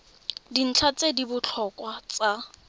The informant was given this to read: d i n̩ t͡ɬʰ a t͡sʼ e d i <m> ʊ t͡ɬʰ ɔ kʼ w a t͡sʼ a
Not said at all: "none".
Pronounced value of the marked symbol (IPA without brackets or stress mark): b